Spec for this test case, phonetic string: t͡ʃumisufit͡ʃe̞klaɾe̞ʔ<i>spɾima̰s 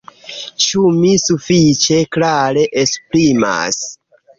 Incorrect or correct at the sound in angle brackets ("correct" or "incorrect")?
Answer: incorrect